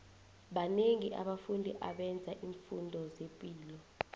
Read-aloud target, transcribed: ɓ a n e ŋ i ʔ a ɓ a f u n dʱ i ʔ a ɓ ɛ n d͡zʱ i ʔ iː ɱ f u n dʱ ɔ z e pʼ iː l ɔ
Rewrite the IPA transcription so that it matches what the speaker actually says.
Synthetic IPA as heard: ɓ a n e ŋ i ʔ a ɓ a f u n dʱ i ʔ a ɓ ɛ n d͡zʱ a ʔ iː ɱ f u n dʱ ɔ z e pʼ iː l ɔ